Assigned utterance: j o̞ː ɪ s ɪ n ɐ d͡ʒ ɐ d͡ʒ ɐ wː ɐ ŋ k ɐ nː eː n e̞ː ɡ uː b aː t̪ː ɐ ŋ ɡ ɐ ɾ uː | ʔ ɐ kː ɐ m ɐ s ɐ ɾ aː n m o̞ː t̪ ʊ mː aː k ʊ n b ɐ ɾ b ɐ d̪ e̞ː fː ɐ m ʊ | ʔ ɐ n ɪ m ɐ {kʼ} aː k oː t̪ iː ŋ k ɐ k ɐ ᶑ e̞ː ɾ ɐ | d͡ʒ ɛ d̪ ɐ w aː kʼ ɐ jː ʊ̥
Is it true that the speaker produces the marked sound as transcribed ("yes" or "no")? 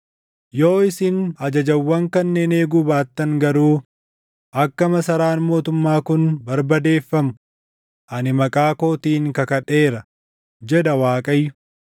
yes